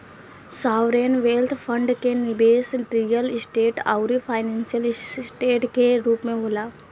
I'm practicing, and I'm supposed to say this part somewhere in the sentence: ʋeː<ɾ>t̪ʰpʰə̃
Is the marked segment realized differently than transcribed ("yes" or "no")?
yes